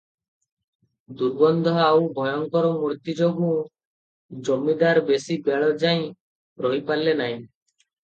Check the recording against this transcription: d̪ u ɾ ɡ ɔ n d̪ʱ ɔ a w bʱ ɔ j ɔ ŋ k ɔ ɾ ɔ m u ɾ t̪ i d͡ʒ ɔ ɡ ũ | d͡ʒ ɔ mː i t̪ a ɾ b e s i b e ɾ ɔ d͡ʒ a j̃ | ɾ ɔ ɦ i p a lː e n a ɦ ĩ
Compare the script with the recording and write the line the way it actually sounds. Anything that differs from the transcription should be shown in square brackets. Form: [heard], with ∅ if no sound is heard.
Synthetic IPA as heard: d̪ u ɾ [b] ɔ n d̪ʱ ɔ a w bʱ ɔ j ɔ ŋ k ɔ ɾ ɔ m u ɾ t̪ i d͡ʒ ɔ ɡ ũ | d͡ʒ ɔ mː i [d̪] a ɾ b e s i b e [ɭ] ɔ d͡ʒ a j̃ | ɾ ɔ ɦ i p a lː e n a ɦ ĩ